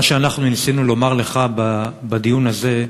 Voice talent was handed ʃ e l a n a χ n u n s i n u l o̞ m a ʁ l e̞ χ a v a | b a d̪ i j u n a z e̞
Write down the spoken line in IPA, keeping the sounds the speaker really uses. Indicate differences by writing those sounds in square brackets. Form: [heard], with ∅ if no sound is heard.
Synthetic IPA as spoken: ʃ e [∅] a n a χ n u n s i n u l o̞ m a ʁ l e̞ χ a [b] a | b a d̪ i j u n a z e̞